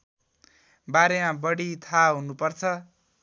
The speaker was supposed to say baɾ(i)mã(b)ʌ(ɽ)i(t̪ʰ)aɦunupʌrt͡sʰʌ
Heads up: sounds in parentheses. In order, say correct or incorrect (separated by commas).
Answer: incorrect, correct, correct, correct